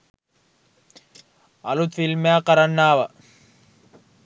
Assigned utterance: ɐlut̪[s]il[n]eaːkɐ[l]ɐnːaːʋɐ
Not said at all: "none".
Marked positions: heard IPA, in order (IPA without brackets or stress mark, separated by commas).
f, m, ɾ